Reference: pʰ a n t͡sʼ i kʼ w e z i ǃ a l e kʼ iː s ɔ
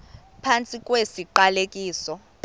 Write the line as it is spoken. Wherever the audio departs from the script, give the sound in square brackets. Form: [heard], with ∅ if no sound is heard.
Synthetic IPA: pʰ a n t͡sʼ i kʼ w e [s] i ǃ a l e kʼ iː s ɔ